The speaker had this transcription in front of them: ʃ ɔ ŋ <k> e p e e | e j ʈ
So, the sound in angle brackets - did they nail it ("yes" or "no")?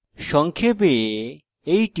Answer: no